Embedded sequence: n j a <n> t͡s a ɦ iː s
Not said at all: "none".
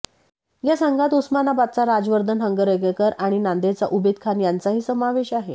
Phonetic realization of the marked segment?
n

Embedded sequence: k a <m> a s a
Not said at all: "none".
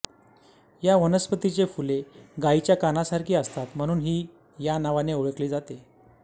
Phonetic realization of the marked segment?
n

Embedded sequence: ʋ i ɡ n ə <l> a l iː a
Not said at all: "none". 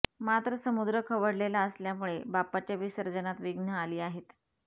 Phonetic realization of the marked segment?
none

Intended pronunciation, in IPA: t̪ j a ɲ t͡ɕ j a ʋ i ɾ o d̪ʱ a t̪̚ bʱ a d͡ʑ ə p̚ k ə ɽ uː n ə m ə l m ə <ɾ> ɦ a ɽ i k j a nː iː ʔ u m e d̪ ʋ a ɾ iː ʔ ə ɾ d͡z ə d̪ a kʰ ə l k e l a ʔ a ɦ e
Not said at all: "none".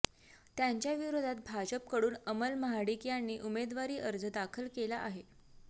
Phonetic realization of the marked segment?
none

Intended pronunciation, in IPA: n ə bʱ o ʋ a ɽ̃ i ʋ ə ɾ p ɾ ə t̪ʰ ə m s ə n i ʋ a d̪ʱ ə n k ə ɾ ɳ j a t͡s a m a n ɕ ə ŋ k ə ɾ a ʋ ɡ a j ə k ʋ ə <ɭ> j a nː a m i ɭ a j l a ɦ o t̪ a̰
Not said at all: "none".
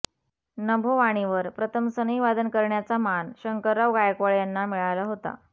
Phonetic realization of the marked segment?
ɭ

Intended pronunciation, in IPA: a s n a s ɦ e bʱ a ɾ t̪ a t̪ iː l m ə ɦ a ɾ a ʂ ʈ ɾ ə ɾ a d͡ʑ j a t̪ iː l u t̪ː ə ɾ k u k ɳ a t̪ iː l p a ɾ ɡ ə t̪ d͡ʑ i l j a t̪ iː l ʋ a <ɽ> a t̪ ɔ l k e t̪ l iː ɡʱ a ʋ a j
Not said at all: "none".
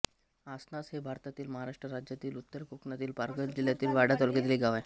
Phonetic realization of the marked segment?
ɽ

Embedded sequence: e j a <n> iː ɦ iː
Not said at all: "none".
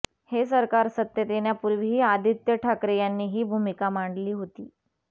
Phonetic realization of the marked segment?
nː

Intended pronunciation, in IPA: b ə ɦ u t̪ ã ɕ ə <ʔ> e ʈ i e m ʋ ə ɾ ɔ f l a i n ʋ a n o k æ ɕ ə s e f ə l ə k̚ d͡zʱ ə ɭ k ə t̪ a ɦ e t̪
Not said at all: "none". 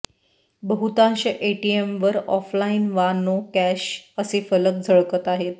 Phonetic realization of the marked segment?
ʔ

